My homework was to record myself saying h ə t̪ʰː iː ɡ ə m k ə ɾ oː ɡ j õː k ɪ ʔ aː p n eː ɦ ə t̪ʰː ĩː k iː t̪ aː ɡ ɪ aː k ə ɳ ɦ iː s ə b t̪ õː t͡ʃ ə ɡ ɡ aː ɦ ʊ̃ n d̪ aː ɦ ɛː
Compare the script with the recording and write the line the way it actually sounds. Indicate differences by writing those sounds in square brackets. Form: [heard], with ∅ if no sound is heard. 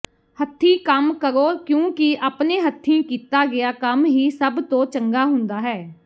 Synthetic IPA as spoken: h ə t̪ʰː iː [k] ə m k ə ɾ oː [k] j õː k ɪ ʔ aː p n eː ɦ ə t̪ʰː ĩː k iː t̪ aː ɡ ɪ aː k ə [m] ɦ iː s ə b t̪ õː t͡ʃ ə [ŋ] ɡ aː ɦ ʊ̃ n d̪ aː ɦ ɛː